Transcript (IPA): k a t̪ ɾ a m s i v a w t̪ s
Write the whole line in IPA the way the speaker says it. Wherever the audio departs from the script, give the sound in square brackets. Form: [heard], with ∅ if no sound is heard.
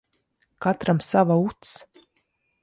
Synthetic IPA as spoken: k a t̪ ɾ a m s [a] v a [u] t̪ s

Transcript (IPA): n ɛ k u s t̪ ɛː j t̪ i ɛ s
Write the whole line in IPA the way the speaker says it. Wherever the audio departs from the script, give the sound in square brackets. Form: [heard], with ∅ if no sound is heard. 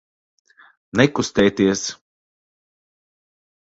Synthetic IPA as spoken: n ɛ k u s t̪ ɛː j t̪ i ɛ s

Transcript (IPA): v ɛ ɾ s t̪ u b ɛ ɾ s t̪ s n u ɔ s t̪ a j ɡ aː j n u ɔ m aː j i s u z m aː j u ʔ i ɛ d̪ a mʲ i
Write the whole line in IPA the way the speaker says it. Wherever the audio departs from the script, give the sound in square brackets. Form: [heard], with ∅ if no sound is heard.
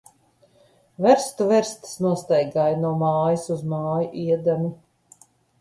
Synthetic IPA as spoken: v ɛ ɾ s t̪ u [v] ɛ ɾ s t̪ s n u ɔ s t̪ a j ɡ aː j n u ɔ m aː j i s u z m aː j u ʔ i ɛ d̪ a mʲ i

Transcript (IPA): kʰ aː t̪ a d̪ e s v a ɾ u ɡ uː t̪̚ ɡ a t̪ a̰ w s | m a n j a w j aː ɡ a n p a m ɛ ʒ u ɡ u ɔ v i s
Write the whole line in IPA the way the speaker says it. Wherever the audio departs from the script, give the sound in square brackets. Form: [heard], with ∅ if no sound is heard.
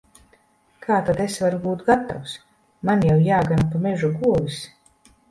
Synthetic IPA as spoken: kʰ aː t̪ a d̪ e s v a ɾ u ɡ uː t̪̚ ɡ a t̪ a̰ w s | m a n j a w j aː ɡ a n p a m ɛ ʒ u ɡ u ɔ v i s

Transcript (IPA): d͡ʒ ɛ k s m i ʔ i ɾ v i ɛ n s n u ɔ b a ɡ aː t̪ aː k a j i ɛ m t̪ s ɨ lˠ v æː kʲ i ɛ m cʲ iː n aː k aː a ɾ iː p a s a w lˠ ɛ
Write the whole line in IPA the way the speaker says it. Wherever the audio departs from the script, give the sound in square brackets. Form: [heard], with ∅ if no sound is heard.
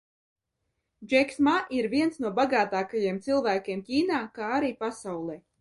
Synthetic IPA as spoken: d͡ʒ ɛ k s m [a] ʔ i ɾ v i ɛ n s n u ɔ b a ɡ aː t̪ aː k a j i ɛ m t̪ s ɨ lˠ v æː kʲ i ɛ m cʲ iː n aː k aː a ɾ iː p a s a w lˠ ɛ

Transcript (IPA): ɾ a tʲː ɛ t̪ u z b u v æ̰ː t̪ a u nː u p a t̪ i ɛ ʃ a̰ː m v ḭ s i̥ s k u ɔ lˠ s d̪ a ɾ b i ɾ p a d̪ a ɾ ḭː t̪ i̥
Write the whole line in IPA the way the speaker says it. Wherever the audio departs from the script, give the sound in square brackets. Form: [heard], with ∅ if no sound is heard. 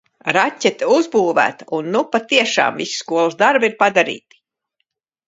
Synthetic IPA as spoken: ɾ a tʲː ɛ t̪ u z b [uː] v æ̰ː t̪ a u nː u p a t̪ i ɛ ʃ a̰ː m v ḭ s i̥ s k u ɔ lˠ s d̪ a ɾ b i ɾ p a d̪ a ɾ ḭː t̪ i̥

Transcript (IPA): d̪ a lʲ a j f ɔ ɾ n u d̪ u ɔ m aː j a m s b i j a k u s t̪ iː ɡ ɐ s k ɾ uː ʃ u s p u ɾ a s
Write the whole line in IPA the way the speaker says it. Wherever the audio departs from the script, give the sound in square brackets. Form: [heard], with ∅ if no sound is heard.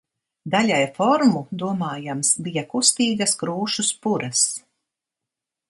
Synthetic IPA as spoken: d̪ a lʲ a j f ɔ ɾ [m] u d̪ u ɔ m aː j a m s b i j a k u s t̪ iː ɡ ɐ s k ɾ uː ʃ u s p u ɾ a s

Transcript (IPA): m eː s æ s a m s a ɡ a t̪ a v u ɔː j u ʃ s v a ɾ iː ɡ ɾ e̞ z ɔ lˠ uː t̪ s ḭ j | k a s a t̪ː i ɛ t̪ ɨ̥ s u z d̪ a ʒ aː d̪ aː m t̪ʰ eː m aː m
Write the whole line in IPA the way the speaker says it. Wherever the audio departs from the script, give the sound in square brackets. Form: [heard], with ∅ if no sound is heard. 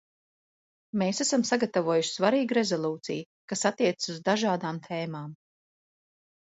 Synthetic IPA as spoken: m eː s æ s a m s a ɡ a t̪ a v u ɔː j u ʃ s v a ɾ iː ɡ ɾ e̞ z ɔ lˠ uː t̪ s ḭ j | k a s a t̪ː i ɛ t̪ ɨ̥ s u z d̪ a ʒ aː d̪ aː m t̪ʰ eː m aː m

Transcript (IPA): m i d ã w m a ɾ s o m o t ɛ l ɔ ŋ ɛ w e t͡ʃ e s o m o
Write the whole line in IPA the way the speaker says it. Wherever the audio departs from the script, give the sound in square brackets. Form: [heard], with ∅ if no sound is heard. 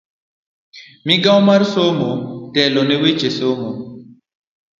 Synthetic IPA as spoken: m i [ɡ] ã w m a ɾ s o m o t ɛ l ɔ [n] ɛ w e t͡ʃ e s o m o

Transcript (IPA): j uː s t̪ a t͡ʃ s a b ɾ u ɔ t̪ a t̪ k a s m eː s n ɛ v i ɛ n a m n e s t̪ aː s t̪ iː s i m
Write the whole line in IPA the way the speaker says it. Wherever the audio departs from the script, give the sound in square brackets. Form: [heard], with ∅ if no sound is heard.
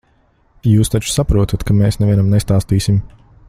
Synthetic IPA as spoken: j uː s t̪ a t͡ʃ s a [p] ɾ u ɔ t̪ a t̪ k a [∅] m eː s n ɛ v i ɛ n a m n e s t̪ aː s t̪ iː s i m

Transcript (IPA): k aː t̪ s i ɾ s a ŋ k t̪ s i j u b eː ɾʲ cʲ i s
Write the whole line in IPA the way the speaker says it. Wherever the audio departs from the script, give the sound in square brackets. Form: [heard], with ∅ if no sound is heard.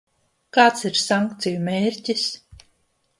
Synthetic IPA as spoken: k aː t̪ s i ɾ s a ŋ k t̪ s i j u [m] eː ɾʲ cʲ i s

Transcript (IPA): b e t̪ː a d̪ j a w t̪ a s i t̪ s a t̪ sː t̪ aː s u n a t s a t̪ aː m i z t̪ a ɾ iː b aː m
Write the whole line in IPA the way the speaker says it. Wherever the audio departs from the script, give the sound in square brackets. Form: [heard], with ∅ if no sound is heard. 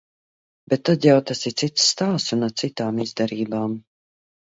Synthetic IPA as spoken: b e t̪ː a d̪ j a w t̪ a s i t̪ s [i] t̪ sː t̪ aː s u n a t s [i] t̪ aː m i z [d̪] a ɾ iː b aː m

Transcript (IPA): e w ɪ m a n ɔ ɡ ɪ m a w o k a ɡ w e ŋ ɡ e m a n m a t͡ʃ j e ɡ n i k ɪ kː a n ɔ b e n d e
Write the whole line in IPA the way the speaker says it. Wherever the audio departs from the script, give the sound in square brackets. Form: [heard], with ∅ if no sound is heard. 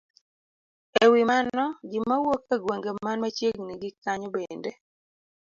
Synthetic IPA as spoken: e w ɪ m a n ɔ ɡ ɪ m a w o k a ɡ w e ŋ ɡ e m a n m a t͡ʃ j e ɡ n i [ɡ] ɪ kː a [ɲ] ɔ b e n d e

